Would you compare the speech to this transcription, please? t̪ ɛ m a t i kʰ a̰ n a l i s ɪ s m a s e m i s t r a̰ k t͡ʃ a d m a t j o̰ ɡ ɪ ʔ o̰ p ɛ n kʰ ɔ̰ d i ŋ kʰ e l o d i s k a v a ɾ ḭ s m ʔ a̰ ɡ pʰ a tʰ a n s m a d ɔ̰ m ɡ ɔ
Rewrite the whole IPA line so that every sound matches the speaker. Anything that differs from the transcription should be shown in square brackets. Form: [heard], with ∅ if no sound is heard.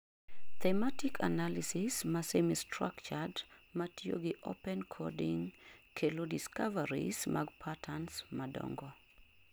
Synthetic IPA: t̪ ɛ m a t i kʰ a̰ n a l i s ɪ s m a s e m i s t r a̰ k t͡ʃ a d m a t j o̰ ɡ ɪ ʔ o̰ p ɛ n kʰ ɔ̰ d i ŋ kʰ e l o d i s k a v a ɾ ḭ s m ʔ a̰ ɡ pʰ a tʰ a n s m a d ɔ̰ [ŋ] ɡ ɔ